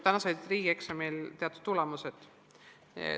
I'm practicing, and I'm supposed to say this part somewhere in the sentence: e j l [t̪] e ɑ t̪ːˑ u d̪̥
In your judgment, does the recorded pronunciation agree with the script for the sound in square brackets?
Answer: yes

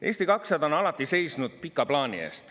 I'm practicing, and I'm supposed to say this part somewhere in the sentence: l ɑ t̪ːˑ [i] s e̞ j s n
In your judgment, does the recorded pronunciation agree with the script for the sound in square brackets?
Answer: yes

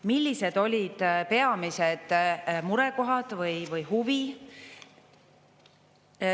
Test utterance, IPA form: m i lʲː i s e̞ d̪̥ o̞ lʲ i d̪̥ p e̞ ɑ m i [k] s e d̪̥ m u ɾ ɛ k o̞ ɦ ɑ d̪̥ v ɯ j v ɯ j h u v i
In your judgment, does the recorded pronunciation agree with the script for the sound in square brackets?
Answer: no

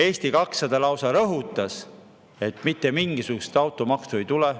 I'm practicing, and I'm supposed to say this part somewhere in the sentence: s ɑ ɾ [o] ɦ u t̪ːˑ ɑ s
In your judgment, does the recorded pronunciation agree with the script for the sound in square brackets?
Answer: no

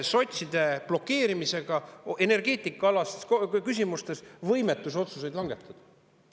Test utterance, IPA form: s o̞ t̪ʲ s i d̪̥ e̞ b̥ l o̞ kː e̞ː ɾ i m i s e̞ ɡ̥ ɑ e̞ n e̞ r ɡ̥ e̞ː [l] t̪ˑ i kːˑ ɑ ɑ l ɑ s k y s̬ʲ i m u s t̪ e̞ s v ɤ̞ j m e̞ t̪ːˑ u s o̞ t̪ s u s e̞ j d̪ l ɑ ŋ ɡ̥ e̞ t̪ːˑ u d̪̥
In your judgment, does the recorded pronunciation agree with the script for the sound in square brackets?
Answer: no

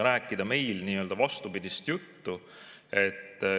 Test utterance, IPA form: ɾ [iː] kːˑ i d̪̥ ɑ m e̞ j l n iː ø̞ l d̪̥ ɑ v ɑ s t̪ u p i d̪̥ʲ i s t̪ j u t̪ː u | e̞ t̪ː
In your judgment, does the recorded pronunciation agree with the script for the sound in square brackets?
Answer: no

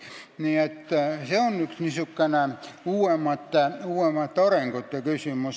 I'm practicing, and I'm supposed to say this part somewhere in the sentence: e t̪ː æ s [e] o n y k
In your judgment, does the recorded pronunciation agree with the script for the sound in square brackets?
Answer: yes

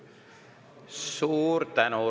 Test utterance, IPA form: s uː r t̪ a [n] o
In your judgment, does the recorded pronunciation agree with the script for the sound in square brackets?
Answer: yes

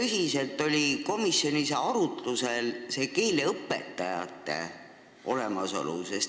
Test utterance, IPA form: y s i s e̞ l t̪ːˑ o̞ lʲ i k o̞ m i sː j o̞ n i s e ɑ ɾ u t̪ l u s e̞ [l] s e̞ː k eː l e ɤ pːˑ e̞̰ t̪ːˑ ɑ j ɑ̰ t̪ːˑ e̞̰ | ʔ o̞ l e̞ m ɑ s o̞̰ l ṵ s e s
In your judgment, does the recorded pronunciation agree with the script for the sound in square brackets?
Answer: yes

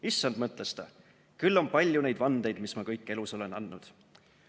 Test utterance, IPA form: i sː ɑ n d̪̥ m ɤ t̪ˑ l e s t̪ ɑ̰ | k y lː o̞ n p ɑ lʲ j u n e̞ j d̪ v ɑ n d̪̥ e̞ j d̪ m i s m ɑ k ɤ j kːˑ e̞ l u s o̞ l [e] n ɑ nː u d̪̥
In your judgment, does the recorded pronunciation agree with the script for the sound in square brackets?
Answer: yes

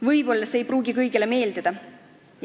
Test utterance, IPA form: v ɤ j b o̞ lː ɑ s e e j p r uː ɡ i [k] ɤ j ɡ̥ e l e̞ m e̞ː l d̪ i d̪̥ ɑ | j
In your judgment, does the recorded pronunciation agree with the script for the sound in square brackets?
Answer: yes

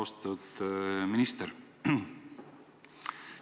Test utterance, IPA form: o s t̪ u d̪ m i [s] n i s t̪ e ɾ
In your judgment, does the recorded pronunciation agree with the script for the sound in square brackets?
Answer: no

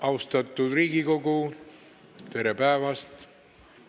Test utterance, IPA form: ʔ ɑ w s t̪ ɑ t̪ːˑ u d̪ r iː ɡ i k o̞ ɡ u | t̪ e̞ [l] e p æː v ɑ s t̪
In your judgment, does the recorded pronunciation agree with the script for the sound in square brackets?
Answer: no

